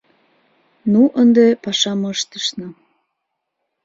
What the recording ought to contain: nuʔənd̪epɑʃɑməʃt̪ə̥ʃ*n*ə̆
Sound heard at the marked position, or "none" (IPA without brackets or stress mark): n